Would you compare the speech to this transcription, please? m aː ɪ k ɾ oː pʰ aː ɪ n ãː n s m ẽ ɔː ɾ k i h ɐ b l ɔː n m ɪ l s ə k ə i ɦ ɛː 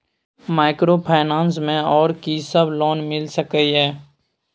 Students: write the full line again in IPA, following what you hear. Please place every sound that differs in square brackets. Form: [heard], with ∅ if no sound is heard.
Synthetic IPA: m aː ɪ k ɾ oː pʰ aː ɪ n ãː n s m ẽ ɔː ɾ k i [s] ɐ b l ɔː n m ɪ l s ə k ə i ɦ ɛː

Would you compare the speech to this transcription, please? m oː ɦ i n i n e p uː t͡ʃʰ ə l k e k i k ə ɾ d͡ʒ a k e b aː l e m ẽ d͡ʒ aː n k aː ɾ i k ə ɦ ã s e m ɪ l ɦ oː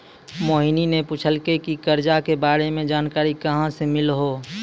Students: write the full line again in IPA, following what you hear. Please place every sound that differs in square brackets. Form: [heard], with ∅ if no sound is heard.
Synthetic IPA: m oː ɦ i n i n e p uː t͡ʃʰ ə l k e k i k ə ɾ d͡ʒ a k e b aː [ɾ] e m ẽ d͡ʒ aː n k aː ɾ i k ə ɦ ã s e m ɪ l ɦ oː

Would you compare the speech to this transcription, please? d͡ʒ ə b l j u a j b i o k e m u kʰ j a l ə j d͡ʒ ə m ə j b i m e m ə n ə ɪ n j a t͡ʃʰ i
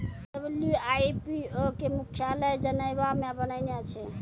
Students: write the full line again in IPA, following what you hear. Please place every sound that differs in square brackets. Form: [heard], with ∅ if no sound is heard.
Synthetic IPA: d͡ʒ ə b l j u a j [p] i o k e m u kʰ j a l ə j d͡ʒ ə [n] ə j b [a] m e [b] ə n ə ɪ n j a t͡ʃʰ [ɛ]

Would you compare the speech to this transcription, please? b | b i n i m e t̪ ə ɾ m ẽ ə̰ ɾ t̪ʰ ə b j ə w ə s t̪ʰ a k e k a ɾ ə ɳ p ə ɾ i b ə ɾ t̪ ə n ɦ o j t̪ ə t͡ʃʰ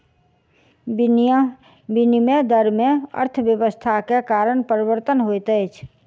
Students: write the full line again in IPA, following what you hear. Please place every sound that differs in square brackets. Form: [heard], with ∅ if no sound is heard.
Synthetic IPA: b | b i n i m e [d̪] ə ɾ m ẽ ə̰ ɾ t̪ʰ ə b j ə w ə s t̪ʰ a k e k a ɾ ə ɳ p ə ɾ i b ə ɾ t̪ ə n ɦ o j t̪ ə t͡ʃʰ

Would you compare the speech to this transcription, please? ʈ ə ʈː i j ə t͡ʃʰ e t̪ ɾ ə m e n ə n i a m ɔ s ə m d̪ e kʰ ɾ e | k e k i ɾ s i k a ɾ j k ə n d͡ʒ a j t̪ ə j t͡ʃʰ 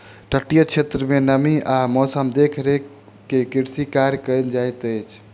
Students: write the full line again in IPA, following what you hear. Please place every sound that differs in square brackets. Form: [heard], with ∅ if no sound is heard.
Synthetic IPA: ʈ ə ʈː i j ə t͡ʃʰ e t̪ ɾ ə m e n ə [m] i a m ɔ s ə m d̪ e kʰ ɾ e | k e k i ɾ s i k a ɾ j k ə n d͡ʒ a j t̪ ə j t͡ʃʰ

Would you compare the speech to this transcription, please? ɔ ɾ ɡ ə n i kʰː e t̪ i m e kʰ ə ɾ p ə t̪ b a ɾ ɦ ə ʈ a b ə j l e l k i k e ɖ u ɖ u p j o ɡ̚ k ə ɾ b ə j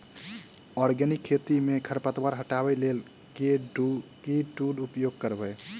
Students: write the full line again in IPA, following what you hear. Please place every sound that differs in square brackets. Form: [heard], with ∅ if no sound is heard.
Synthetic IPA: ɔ ɾ ɡ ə n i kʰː e t̪ i m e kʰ ə ɾ p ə t̪ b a ɾ ɦ ə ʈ a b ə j l e l k [e] k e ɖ u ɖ u p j o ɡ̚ k ə ɾ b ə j

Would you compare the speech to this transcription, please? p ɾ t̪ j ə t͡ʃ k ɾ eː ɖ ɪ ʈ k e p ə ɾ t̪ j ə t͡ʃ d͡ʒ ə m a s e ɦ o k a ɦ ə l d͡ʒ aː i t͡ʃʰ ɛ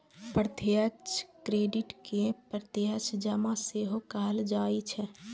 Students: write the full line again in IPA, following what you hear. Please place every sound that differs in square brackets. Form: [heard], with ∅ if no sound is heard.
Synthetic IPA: p ɾ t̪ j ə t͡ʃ k ɾ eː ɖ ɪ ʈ k e p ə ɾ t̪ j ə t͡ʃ d͡ʒ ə m a s e ɦ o k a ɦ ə l d͡ʒ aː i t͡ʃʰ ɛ

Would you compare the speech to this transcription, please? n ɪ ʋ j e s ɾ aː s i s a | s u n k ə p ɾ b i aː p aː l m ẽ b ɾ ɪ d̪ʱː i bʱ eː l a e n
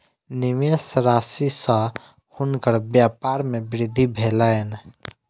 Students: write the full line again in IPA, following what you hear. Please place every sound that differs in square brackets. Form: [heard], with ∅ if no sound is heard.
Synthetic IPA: n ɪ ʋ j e s ɾ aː s i s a | [h] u n k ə [∅] ɾ b [j] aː p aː [ɾ] m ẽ b ɾ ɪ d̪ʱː i bʱ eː l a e n

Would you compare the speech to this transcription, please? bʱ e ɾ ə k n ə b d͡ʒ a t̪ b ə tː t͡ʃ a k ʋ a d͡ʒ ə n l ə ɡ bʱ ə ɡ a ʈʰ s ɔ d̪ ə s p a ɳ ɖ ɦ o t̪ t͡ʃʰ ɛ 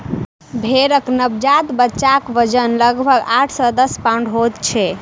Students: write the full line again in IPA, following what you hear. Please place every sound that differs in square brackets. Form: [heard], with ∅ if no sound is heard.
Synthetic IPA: bʱ e ɾ ə k n ə b d͡ʒ a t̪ b ə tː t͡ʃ a k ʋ [ə] d͡ʒ ə n l ə ɡ bʱ ə ɡ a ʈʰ s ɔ d̪ ə s p a ɳ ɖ ɦ o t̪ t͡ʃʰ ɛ

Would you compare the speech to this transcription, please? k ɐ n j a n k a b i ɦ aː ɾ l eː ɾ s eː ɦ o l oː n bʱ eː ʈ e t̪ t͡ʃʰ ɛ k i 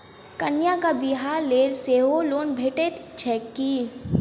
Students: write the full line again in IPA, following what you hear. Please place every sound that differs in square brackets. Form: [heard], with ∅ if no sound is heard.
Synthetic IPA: k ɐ n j a [∅] k a b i ɦ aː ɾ l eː [l] s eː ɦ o l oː n bʱ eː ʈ e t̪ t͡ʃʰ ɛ k i

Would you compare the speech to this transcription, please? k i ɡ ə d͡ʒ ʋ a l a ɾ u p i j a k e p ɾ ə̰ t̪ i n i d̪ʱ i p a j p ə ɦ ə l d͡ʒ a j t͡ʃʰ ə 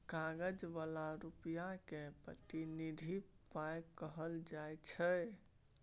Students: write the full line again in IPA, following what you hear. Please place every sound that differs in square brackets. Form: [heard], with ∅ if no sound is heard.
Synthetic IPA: k [a] ɡ ə d͡ʒ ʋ a l a ɾ u p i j a k e p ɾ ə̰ t̪ i n i d̪ʱ i p a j [k] ə ɦ ə l d͡ʒ a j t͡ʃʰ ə

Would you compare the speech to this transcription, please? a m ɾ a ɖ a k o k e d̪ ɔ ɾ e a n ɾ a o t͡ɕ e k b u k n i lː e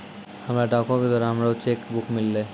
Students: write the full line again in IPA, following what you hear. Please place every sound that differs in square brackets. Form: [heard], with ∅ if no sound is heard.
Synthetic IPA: a m ɾ a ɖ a k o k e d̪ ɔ ɾ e a [m] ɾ a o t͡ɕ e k b u k [m] i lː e

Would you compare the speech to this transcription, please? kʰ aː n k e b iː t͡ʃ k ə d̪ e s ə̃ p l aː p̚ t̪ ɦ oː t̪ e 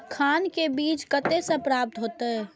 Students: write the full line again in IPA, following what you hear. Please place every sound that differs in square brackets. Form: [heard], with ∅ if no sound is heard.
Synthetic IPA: kʰ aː n k e b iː t͡ʃ k ə [t̪] e s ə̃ p [ɾ] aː p̚ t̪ ɦ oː t̪ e

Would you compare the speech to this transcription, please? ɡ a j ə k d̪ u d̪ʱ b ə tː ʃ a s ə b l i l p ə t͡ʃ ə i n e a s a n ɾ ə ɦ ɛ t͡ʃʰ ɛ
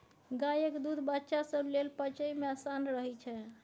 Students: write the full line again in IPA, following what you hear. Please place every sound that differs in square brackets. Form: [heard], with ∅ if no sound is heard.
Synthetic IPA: ɡ a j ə k d̪ u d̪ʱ b ə tː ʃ a s ə b l [e] l p ə t͡ʃ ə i [m] e a s a n ɾ ə ɦ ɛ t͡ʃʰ ɛ

